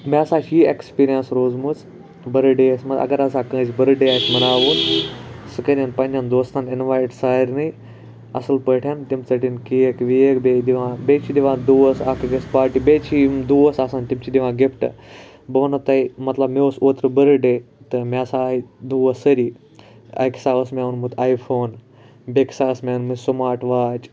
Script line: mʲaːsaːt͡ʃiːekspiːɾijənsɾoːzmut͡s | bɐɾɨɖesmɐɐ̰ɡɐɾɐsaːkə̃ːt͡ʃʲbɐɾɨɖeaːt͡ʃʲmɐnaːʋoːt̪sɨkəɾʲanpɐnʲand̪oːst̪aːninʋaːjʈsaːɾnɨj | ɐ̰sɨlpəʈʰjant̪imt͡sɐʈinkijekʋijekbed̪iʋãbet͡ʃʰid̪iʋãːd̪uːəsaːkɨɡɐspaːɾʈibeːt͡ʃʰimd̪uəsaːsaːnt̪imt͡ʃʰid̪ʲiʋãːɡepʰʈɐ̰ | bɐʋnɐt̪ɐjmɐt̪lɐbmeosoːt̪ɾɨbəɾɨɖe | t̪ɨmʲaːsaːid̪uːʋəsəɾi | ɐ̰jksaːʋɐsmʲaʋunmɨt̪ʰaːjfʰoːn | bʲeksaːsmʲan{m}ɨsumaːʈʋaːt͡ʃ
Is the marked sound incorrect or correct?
correct